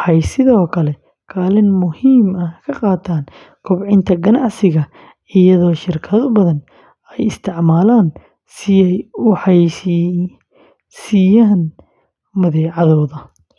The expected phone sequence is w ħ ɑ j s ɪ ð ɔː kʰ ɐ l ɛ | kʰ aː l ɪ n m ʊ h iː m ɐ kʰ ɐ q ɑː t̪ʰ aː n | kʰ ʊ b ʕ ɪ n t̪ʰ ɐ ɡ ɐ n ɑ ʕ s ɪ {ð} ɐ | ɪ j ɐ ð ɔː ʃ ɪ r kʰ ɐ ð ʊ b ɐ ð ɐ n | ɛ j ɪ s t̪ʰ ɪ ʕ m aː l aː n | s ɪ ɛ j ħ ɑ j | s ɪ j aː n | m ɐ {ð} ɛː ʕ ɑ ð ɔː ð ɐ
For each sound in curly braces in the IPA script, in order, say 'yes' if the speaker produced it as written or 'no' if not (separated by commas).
no, yes